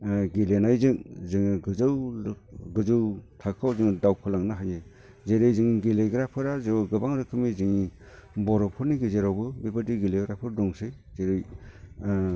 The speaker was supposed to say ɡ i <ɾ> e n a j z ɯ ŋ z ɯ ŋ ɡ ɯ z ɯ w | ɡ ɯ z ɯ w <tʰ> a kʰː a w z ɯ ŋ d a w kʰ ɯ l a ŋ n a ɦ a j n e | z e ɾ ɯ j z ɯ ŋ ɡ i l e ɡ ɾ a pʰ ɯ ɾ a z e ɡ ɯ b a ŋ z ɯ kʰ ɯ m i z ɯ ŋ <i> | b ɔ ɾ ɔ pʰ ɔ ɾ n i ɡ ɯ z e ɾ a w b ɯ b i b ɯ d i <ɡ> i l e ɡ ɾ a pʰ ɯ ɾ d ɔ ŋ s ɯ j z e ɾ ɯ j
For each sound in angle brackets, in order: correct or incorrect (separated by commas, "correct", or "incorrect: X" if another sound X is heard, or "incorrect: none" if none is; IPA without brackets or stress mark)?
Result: incorrect: l, correct, correct, correct